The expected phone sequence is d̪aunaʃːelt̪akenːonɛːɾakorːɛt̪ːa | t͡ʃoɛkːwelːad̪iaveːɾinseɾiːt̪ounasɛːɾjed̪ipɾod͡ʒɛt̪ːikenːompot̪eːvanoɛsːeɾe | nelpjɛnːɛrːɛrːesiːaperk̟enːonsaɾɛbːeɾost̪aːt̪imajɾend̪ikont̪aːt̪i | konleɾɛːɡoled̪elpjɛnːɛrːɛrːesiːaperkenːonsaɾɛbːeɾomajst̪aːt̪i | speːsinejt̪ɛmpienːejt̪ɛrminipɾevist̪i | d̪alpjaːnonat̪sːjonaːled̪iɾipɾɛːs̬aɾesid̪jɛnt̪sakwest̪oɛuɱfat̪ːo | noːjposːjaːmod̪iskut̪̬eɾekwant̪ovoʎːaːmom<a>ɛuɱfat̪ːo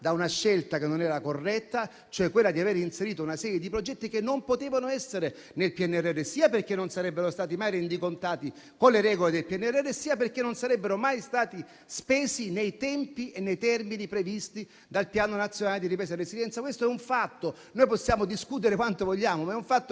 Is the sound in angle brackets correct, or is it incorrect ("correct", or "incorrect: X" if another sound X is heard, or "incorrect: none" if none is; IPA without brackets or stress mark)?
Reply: correct